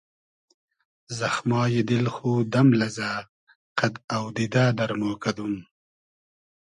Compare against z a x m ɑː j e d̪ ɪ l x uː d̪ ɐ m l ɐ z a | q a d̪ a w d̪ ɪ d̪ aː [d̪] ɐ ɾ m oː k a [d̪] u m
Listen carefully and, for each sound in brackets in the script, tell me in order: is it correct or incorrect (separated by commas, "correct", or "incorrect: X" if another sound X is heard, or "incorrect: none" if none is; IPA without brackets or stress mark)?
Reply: correct, correct